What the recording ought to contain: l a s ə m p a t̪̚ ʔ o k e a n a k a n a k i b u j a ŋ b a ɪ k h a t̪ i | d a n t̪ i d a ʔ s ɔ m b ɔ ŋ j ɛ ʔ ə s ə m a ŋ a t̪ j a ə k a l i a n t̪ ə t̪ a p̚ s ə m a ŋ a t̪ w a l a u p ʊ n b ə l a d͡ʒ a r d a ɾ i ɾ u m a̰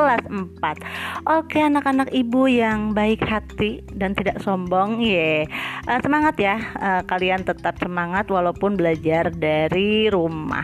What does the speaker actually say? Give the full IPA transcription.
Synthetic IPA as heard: l a s ə m p a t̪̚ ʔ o k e a n a k a n a k i b u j a ŋ b a ɪ k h a t̪ i | d a n t̪ i d a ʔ s ɔ m b ɔ ŋ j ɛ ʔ ə s ə m a ŋ a t̪ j a ə k a l i a n t̪ ə t̪ a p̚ s ə m a ŋ a t̪ w a l a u p ʊ n b ə l a d͡ʒ a r d a ɾ i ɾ u m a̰